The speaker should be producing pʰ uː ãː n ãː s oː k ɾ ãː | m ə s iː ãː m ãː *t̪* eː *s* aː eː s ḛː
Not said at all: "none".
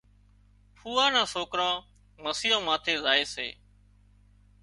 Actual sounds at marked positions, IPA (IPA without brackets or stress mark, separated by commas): t̪ʰ, z